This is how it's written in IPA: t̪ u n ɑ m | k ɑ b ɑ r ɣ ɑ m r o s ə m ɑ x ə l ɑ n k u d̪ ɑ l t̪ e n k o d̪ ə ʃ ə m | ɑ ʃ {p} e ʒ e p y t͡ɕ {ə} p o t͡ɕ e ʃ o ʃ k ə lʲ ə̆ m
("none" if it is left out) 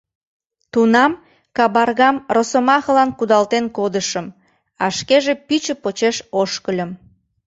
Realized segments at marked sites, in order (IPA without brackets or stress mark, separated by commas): k, ə